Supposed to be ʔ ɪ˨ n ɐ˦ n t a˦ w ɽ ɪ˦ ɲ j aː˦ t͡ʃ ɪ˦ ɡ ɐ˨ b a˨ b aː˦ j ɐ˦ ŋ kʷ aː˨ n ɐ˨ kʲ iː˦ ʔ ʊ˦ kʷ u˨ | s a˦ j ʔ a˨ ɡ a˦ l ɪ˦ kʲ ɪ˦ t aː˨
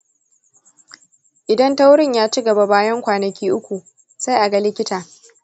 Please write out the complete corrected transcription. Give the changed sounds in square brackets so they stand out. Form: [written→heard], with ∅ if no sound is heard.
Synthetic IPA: ʔ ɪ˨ [n→d] ɐ˦ n t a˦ w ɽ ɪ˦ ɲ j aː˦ t͡ʃ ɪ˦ ɡ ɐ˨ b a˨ b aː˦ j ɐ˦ ŋ kʷ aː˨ n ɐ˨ kʲ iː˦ ʔ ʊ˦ kʷ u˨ | s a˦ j ʔ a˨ ɡ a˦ l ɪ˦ kʲ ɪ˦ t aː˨

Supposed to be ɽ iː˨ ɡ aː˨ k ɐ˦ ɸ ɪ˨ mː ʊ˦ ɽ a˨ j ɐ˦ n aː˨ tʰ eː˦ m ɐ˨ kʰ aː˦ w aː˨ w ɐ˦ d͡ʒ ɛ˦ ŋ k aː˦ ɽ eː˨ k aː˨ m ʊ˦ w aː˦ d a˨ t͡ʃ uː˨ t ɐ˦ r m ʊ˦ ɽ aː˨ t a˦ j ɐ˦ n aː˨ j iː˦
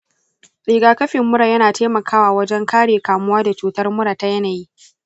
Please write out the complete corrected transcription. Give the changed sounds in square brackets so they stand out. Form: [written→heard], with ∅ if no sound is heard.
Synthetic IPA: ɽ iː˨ ɡ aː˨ k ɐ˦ ɸ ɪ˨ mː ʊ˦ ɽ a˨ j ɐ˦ n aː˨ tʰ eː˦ m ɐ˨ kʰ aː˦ w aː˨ w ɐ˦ d͡ʒ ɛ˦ ŋ k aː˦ ɽ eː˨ k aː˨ m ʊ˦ w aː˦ d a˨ t͡ʃ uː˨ t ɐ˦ r m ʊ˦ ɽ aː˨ t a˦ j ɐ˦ n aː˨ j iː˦

